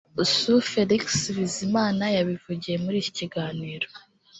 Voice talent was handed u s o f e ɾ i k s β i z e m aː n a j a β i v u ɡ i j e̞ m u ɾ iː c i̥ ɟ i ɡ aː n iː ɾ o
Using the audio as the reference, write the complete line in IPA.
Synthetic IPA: u s u f e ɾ i k s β i z i m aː n a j a β i v u ɟ i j e̞ m u ɾ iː c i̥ c i ɡ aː n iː ɾ o